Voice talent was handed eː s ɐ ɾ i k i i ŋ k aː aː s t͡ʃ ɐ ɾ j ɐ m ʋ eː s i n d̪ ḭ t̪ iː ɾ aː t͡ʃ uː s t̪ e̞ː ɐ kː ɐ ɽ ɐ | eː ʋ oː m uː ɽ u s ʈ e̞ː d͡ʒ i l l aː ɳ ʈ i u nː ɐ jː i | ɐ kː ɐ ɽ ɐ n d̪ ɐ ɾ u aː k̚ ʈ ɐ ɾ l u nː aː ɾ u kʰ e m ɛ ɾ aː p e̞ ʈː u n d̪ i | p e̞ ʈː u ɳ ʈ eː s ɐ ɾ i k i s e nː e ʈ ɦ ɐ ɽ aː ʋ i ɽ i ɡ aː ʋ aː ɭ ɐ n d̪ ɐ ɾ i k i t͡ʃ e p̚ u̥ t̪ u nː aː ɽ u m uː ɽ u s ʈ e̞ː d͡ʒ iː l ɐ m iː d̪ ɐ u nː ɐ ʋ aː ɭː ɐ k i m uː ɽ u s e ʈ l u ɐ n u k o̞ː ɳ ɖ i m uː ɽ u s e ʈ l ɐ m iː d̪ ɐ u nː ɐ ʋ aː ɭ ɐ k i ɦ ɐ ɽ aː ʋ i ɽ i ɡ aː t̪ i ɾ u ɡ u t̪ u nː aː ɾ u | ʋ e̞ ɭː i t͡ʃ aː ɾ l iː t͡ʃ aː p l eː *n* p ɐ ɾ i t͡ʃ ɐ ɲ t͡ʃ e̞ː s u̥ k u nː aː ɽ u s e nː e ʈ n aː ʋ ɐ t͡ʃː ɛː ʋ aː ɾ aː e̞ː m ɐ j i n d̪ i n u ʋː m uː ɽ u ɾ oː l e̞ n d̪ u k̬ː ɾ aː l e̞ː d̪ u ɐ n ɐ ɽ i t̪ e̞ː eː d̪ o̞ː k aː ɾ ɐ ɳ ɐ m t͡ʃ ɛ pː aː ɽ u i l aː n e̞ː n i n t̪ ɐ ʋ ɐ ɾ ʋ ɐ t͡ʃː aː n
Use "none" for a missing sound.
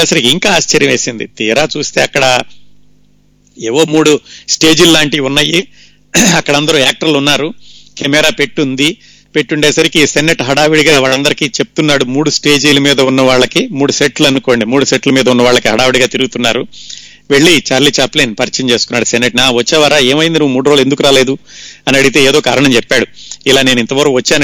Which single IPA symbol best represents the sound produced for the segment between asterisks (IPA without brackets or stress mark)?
n